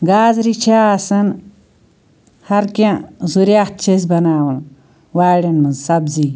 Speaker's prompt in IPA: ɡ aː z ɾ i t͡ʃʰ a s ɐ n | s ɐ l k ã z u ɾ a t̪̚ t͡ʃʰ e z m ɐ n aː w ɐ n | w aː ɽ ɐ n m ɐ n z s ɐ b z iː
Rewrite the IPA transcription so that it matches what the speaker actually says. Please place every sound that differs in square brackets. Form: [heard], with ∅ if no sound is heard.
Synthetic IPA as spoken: ɡ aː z ɾ i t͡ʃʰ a s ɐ n | [h] ɐ [ɾ] k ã z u ɾ a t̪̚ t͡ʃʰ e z [b] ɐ n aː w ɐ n | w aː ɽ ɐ n m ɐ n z s ɐ b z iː